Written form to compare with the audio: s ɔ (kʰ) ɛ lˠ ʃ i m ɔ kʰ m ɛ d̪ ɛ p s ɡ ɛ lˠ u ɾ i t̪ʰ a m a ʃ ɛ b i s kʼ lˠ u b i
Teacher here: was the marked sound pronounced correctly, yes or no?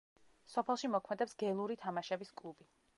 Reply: no